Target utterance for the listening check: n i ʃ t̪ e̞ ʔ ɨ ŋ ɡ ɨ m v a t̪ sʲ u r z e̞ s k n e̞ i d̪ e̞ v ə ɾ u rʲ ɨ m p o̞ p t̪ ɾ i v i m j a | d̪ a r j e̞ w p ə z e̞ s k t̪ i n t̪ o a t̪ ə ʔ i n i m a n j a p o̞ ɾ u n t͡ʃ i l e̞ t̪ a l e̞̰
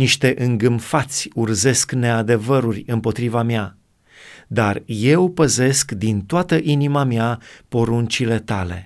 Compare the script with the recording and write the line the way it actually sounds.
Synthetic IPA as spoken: n i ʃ t̪ e̞ ʔ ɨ ŋ ɡ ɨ m f a t̪ sʲ u r z e̞ s k n e̞ a d̪ e̞ v ə ɾ u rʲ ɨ m p o̞ t̪ ɾ i v a m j a | d̪ a r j e̞ w p ə z e̞ s k d̪ i n t̪ o a t̪ ə ʔ i n i m a m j a p o̞ ɾ u n t͡ʃ i l e̞ t̪ a l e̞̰